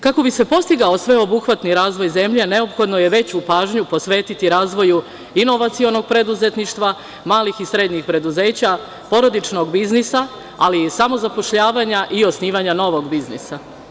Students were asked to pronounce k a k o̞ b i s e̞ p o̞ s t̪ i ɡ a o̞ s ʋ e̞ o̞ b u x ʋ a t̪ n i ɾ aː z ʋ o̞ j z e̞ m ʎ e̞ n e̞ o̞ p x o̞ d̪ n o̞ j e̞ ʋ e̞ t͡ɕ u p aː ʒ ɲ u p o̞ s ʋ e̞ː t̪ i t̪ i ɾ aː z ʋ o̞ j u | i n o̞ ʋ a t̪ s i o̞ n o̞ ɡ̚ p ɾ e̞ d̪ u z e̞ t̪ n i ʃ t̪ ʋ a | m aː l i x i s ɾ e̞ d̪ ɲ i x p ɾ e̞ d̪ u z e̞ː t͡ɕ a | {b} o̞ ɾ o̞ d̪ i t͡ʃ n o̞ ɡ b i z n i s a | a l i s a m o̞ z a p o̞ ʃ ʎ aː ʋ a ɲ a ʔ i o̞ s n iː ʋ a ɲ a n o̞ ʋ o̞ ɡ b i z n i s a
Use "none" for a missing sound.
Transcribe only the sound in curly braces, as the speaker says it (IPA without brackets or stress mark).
p